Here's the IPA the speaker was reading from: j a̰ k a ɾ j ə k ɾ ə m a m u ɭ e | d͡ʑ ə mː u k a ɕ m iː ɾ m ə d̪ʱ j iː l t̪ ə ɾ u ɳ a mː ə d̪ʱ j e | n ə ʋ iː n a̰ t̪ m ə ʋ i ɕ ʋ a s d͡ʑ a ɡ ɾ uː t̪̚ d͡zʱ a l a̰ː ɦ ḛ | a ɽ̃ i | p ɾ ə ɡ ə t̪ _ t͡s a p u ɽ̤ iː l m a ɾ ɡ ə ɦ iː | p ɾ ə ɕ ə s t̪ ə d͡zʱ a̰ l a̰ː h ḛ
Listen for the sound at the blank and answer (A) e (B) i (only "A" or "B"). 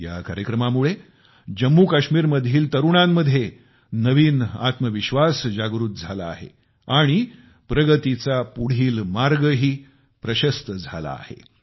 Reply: B